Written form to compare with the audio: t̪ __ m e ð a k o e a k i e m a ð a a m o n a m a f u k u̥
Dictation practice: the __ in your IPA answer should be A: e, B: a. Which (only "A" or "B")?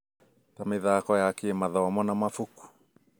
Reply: B